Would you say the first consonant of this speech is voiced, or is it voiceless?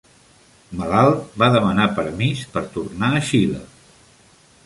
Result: voiced